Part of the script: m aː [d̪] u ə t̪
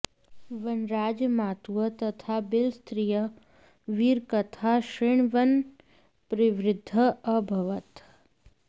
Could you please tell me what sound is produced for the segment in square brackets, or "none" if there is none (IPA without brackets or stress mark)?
t̪